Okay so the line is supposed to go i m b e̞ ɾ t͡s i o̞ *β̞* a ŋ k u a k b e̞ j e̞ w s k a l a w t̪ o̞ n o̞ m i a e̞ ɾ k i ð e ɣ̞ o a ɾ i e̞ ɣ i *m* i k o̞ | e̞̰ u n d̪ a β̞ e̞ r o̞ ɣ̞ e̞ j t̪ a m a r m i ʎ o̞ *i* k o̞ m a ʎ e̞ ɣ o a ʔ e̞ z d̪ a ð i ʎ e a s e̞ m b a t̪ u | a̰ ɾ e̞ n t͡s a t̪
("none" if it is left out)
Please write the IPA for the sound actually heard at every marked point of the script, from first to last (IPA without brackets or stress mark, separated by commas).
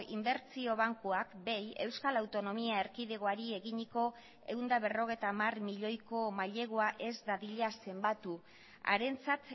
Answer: β̞, ɲ, j